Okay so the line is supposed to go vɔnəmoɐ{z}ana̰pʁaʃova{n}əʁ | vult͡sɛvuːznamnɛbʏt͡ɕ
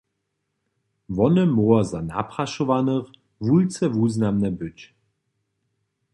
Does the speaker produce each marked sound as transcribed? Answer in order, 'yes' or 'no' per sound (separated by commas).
yes, yes